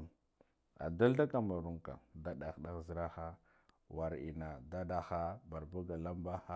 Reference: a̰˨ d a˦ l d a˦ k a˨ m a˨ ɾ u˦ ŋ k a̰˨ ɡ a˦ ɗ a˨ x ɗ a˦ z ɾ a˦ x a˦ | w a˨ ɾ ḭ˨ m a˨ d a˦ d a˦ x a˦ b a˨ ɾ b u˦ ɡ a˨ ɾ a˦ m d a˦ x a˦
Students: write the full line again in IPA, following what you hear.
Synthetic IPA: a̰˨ d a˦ l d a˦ k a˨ m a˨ ɾ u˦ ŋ k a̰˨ d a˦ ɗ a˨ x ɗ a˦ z ɾ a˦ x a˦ | w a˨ ɾ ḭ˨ n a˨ d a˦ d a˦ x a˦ b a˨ ɾ b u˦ ɡ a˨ l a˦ m b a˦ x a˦